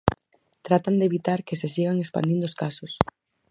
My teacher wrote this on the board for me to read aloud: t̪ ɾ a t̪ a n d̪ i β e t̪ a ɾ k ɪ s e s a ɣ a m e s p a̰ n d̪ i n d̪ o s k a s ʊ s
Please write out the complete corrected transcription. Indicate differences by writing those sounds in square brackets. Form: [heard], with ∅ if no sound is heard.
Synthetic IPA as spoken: t̪ ɾ a t̪ a n d̪ [e] β [i] t̪ a ɾ k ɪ s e s [i] ɣ a [ŋ] e s p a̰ n d̪ i n d̪ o s k a s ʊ s

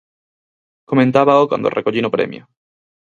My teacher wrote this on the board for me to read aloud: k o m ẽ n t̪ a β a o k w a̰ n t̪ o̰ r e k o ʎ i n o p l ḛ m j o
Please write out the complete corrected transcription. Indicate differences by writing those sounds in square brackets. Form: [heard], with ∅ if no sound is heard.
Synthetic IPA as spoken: k o m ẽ n t̪ a β a o k w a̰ n [d̪] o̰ r e k o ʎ i n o p [ɾ] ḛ m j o

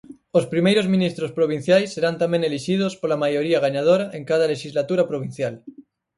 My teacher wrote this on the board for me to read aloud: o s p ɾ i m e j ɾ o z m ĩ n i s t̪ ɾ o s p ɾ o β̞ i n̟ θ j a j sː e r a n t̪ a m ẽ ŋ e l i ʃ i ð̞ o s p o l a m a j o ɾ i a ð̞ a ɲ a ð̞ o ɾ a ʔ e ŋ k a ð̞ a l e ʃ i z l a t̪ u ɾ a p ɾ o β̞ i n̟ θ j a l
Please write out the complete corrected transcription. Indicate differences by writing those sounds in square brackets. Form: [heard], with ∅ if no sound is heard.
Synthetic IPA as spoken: o s p ɾ i m e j ɾ o z m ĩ n i s t̪ ɾ o s p ɾ o β̞ i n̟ θ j a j sː e [ɾ] a n t̪ a m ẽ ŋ e l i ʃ i ð̞ o s p o l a m a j o ɾ i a [ɣ̞] a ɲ a ð̞ o ɾ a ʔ e ŋ k a ð̞ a l e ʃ i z l a t̪ u ɾ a p ɾ o β̞ i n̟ θ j a l

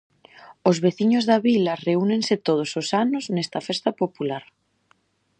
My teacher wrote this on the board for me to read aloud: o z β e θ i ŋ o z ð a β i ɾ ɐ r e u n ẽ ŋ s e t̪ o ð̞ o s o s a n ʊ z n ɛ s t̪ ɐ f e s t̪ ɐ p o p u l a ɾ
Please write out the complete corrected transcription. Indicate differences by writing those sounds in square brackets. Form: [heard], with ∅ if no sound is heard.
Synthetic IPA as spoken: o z β e θ i [ɲ] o z ð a β i [l] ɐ r e u n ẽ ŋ s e t̪ o ð̞ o s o s a n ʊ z n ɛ s t̪ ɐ f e s t̪ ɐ p o p u l a ɾ

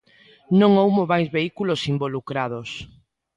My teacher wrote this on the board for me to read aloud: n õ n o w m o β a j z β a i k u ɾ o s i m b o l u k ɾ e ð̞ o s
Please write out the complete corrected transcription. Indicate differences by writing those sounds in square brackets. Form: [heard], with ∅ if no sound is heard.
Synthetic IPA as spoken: n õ [ŋ] o w m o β a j z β [e] i k u [l] o s i m b o l u k ɾ [a] ð̞ o s

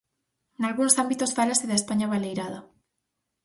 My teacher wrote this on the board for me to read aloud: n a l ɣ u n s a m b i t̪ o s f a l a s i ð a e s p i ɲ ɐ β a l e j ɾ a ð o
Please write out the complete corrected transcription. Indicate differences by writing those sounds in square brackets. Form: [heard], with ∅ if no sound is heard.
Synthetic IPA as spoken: n a l ɣ u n s a m b i t̪ o s f a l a s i ð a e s p [a] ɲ [a] β a l e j ɾ a ð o

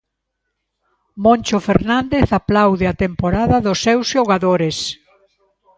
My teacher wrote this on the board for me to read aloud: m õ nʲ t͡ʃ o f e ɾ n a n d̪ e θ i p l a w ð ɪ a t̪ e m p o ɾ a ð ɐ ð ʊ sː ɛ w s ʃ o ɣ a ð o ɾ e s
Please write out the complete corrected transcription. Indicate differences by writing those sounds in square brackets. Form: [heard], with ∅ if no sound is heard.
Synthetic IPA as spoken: m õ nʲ t͡ʃ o f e ɾ n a n d̪ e θ [a] p l a w ð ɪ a t̪ e m p o ɾ a ð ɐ ð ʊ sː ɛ w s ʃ o ɣ a ð o ɾ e s

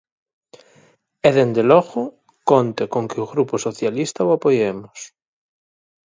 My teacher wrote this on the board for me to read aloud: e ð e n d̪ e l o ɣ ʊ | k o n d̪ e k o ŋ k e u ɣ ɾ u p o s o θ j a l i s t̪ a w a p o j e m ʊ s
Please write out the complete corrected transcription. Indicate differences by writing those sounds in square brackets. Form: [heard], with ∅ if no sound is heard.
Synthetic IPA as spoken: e ð e n d̪ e l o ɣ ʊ | k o n [t̪] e k o ŋ k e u ɣ ɾ u p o s o θ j a l i s t̪ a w a p o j e m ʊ s

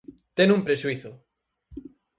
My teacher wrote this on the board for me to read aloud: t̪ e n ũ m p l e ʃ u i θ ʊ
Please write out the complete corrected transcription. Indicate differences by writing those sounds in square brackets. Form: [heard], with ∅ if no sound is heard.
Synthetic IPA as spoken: t̪ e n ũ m p [ɾ] e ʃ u i θ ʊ

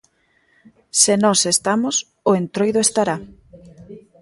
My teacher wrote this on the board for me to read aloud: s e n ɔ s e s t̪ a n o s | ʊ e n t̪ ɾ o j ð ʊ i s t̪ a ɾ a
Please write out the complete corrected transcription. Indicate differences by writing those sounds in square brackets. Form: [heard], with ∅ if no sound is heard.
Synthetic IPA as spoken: s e n ɔ s e s t̪ a [m] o s | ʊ e n t̪ ɾ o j ð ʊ [e] s t̪ a ɾ a

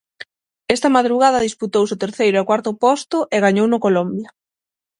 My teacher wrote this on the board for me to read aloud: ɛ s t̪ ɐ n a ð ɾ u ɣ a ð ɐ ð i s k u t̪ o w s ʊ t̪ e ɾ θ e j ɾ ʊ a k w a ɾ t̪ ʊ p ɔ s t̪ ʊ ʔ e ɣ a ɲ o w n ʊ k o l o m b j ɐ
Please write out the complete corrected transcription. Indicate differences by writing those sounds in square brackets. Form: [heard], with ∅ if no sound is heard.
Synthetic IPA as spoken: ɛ s t̪ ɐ [m] a ð ɾ u ɣ a ð ɐ ð i s [p] u t̪ o w s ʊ t̪ e ɾ θ e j ɾ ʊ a k w a ɾ t̪ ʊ p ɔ s t̪ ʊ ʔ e ɣ a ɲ o w n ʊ k o l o m b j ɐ

